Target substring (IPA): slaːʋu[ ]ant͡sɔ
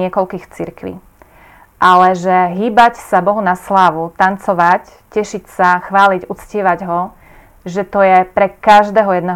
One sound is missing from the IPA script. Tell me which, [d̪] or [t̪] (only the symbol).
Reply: t̪